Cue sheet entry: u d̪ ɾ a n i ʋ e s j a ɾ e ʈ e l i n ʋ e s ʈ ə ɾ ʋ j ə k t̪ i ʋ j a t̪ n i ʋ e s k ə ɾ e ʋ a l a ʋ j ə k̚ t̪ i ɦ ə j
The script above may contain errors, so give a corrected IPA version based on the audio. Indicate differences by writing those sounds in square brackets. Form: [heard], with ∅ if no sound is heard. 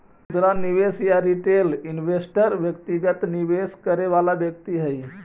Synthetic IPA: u d̪ ɾ a n i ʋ e s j a ɾ [i] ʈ e l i n ʋ e s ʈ ə ɾ ʋ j ə k t̪ i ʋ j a t̪ n i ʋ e s k ə ɾ e ʋ a l a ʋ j ə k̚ t̪ i ɦ ə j